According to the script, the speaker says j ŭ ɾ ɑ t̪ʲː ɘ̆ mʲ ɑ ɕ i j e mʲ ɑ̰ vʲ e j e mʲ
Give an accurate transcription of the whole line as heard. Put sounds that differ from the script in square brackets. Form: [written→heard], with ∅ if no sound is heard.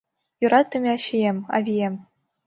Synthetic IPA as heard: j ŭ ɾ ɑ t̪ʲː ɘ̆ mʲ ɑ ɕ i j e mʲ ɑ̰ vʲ [e→i] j e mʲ